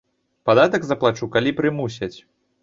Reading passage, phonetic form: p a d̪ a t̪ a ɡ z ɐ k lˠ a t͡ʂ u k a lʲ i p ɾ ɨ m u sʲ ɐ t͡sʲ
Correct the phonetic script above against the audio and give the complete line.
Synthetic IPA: p a d̪ a t̪ ɐ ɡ z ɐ p lˠ a t͡ʂ u k a lʲ i p ɾ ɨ m u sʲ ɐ t͡sʲ

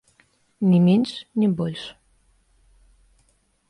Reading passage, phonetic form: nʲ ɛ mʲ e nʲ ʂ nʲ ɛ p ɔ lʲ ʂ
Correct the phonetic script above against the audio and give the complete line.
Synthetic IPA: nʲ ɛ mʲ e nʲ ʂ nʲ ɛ b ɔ lʲ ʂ

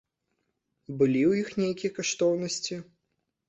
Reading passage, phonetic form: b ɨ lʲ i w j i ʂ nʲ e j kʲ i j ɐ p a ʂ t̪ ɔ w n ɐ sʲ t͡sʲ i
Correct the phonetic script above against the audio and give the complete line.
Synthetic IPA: b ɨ lʲ i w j i x nʲ e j kʲ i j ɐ k a ʂ t̪ ɔ w n ɐ sʲ t͡sʲ i

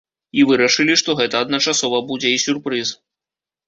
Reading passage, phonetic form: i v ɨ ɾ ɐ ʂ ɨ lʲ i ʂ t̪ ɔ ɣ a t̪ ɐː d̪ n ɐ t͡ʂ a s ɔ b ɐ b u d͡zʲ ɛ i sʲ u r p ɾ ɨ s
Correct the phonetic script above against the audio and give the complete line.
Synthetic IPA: i v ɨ ɾ ɐ ʂ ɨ lʲ i ʂ t̪ ɔ ɣ ɛ t̪ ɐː d̪ n ɐ t͡ʂ a s ɔ v ɐ b u d͡zʲ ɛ i sʲ u r p ɾ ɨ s

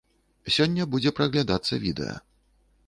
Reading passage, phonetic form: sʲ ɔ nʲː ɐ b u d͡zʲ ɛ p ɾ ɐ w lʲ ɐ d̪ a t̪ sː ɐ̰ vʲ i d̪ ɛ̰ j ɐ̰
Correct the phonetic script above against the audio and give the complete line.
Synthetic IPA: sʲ ɔ nʲː ɐ b u d͡zʲ ɛ p ɾ ɐ ɣ lʲ a d̪ a t̪ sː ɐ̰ vʲ i d̪ ɛ̰ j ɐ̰

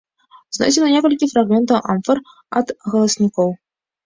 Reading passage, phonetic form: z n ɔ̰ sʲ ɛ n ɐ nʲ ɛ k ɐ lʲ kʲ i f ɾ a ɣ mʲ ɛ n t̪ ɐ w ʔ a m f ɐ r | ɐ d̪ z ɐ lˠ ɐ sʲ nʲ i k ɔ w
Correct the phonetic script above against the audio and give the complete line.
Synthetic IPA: z n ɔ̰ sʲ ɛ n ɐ nʲ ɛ k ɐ lʲ kʲ i f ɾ a ɣ mʲ ɛ n t̪ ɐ w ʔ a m f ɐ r | ɐ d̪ ɣ ɐ lˠ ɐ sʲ nʲ i k ɔ w

